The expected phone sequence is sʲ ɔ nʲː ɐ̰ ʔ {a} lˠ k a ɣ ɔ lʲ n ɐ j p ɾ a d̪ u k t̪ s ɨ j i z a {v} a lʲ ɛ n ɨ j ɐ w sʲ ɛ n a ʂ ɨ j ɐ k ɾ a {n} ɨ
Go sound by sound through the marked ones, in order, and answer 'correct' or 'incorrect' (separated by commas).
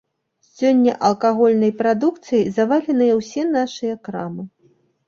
incorrect, correct, incorrect